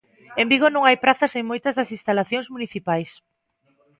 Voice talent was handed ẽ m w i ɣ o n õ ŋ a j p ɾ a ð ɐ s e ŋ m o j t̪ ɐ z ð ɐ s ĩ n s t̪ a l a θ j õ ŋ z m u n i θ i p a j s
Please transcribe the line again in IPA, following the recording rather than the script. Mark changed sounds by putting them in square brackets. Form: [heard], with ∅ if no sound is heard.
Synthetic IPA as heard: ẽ m [b] i ɣ o n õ ŋ a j p ɾ a [θ] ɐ s e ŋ m o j t̪ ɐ z ð ɐ s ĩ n s t̪ a l a θ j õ ŋ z m u n i θ i p a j s